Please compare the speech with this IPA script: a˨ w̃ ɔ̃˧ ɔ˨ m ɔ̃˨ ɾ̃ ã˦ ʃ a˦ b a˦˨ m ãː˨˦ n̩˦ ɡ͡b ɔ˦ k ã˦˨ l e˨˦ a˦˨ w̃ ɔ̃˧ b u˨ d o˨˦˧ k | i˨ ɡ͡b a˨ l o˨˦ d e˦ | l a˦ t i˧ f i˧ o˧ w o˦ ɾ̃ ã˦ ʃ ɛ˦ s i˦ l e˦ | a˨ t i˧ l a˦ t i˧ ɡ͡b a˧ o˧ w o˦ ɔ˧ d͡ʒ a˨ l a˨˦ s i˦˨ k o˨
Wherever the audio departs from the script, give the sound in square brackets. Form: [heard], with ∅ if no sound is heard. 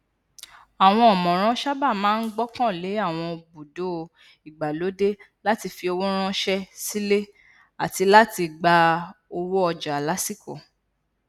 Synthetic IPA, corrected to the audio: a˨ w̃ ɔ̃˧ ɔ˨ m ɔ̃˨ ɾ̃ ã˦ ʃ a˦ b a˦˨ m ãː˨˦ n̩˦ ɡ͡b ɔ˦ k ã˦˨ l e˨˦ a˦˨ w̃ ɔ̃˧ b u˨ d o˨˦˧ [∅] | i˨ ɡ͡b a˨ l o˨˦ d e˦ | l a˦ t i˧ f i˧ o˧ w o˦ ɾ̃ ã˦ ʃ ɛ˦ s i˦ l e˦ | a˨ t i˧ l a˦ t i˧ ɡ͡b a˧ o˧ w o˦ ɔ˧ d͡ʒ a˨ l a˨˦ s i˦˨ k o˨